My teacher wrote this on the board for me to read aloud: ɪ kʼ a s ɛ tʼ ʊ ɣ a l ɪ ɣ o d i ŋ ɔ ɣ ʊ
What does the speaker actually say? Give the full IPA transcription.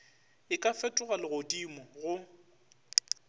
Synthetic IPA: ɪ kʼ a f ɛ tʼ ʊ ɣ a l ɪ ɣ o d i m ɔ ɣ ʊ